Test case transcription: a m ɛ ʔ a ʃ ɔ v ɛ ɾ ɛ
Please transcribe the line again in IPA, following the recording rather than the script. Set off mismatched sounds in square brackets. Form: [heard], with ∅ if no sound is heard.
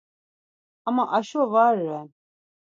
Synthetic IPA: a m [a] ʔ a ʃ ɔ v [a] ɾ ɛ